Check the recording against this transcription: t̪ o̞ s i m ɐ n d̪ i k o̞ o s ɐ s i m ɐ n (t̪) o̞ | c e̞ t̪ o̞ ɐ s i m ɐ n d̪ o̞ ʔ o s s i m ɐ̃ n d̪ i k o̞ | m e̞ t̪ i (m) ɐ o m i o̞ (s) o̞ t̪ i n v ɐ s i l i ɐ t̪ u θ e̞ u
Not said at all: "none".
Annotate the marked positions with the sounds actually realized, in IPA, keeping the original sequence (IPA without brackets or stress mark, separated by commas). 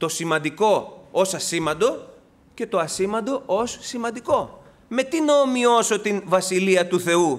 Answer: d̪, n, s